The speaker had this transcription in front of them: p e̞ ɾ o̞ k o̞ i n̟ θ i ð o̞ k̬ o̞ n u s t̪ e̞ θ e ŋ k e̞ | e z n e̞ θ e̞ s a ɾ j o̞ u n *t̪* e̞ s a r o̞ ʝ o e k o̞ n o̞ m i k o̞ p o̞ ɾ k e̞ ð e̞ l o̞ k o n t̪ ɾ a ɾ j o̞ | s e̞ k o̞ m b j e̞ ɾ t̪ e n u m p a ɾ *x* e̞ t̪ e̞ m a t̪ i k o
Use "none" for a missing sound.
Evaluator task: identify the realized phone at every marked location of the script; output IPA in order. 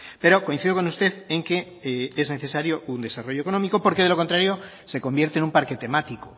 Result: d̪, k

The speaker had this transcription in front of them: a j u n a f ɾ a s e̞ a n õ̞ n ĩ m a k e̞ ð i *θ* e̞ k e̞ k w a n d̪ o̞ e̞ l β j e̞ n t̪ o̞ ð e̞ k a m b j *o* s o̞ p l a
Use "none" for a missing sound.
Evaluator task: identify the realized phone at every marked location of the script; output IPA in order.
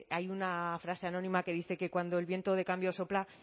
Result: θ, o

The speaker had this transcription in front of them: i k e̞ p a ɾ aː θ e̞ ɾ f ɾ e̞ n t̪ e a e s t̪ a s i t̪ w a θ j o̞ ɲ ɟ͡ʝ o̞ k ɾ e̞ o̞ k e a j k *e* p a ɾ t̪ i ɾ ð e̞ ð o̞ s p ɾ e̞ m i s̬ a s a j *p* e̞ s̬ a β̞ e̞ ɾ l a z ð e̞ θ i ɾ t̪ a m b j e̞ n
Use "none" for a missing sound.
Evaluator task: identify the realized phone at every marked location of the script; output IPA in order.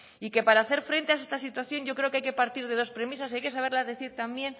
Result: e, k

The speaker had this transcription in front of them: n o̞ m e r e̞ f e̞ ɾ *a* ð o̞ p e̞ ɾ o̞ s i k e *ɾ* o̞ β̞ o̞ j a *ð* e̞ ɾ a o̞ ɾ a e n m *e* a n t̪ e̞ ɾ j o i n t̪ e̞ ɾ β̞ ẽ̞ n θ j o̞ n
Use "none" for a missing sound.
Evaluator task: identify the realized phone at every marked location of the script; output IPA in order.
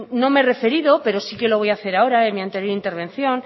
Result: i, l, θ, i

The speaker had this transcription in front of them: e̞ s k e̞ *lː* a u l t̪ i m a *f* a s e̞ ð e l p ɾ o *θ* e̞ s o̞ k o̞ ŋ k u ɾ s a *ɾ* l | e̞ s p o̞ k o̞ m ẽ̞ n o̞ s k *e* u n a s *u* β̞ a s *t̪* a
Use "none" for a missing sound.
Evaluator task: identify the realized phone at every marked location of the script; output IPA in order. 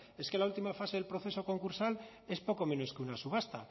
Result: l, f, θ, none, e, u, t̪

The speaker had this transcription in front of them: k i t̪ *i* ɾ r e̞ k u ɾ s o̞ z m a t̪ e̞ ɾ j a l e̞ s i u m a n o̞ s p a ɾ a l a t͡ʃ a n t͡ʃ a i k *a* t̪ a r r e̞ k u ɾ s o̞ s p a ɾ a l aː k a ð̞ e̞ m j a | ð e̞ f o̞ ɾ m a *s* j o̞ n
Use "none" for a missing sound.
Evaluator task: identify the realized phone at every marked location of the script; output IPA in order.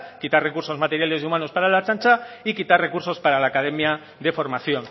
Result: a, i, θ

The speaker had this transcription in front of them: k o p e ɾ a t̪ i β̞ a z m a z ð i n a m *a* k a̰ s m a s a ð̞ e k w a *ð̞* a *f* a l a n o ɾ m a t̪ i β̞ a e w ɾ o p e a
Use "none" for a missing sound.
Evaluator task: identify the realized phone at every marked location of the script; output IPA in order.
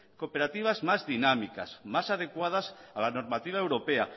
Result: i, ð̞, s

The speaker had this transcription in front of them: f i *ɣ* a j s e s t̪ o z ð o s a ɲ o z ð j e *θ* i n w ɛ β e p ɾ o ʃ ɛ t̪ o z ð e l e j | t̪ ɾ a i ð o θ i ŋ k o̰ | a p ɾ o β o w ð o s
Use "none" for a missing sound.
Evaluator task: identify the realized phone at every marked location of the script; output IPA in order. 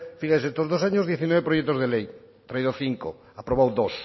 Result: ɣ, θ

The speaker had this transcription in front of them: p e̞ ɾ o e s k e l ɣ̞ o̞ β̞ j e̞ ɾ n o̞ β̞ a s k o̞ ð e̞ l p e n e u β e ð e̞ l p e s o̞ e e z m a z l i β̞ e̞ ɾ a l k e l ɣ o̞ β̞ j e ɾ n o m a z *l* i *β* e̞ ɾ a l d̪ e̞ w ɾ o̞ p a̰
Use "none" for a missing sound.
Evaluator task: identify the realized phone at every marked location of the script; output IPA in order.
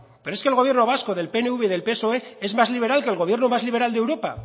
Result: l, β

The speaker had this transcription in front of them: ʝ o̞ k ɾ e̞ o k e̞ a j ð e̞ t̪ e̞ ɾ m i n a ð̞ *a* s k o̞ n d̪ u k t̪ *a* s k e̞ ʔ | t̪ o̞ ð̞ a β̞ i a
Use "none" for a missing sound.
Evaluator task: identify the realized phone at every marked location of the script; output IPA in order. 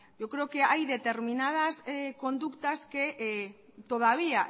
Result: a, a

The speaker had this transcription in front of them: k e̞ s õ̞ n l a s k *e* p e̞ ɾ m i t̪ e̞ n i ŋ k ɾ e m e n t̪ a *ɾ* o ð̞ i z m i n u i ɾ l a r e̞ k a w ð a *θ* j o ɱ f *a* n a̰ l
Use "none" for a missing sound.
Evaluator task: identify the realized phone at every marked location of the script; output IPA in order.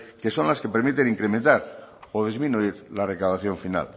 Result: e, ɾ, θ, i

